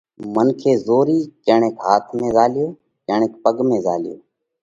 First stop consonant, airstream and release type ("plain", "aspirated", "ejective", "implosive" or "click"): aspirated